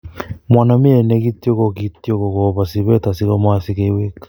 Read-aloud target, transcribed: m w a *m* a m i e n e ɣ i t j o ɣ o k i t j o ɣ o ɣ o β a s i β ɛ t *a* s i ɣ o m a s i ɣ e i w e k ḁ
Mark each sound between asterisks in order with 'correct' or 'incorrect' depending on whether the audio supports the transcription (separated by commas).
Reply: incorrect, correct